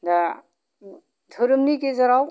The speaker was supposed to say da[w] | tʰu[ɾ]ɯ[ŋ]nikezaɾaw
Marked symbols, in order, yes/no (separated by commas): no, yes, no